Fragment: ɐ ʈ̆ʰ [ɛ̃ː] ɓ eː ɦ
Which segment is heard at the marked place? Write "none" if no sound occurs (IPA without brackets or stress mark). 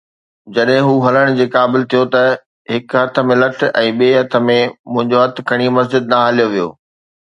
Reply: ɛ̃ː